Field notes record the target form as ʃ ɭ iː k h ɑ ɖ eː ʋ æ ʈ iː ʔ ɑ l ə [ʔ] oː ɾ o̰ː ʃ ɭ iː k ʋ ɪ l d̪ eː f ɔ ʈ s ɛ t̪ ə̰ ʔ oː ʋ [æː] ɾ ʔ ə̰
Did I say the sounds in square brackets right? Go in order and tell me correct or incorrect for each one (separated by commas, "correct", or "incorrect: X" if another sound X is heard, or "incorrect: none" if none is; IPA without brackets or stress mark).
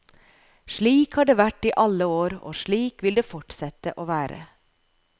incorrect: none, correct